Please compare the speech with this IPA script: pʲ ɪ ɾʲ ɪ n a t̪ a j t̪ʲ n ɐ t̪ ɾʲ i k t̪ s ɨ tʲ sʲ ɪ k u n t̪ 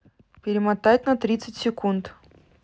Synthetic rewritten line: pʲ ɪ ɾʲ ɪ m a t̪ a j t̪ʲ n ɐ t̪ ɾʲ i t̪ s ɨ tʲ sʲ ɪ k u n t̪